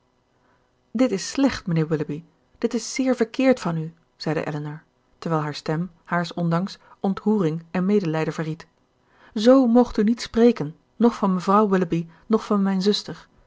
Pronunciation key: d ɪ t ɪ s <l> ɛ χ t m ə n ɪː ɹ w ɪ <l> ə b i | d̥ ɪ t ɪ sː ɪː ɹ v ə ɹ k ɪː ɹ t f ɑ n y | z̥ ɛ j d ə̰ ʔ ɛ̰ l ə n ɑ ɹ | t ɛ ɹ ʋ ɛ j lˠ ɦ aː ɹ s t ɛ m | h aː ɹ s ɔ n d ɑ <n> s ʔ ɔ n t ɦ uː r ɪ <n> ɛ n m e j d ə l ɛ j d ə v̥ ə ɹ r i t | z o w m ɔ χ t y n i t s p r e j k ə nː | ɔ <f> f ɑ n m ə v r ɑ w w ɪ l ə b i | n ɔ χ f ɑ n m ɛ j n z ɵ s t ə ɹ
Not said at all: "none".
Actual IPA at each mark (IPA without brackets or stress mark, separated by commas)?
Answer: l, l, ŋ, ŋ, χ